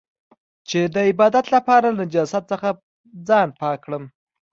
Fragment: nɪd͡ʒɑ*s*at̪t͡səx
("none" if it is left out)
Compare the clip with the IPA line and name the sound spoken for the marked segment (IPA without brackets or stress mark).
s